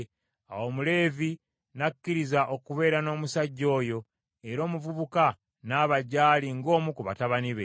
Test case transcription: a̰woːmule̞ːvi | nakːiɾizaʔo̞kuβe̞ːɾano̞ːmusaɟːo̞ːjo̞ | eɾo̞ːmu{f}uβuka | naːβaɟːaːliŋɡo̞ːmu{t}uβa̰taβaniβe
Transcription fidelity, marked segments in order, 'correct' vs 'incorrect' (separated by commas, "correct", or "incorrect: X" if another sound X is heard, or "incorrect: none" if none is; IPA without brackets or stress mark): incorrect: v, incorrect: k